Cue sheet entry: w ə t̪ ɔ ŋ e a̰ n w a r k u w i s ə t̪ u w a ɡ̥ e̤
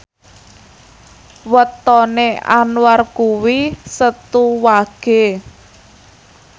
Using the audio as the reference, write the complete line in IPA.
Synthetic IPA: w ə t̪ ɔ n e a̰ n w a r k u w i s ə t̪ u w a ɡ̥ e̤